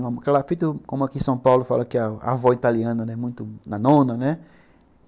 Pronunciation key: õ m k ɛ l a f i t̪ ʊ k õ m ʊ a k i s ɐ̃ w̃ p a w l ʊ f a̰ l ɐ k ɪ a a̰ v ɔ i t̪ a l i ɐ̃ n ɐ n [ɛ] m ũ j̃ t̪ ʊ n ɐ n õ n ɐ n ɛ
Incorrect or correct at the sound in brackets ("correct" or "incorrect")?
correct